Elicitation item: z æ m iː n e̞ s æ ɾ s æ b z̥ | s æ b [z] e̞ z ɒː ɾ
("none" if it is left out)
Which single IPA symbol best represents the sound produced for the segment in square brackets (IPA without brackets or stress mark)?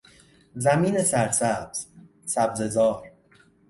z